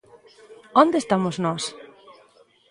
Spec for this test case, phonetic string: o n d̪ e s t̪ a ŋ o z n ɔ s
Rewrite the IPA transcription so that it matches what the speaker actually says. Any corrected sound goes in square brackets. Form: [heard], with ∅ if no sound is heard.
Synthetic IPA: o n d̪ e s t̪ a [m] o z n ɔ s